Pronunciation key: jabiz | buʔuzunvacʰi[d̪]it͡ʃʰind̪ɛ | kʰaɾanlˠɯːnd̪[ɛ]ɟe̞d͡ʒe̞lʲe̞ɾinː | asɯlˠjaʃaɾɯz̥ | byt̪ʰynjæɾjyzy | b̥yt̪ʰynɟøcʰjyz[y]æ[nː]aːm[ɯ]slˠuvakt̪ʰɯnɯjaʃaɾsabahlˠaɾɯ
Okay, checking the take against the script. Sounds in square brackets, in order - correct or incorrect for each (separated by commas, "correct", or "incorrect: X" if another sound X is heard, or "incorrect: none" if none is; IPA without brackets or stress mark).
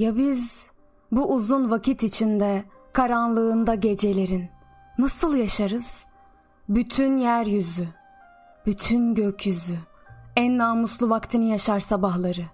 incorrect: t̪, incorrect: a, correct, correct, incorrect: u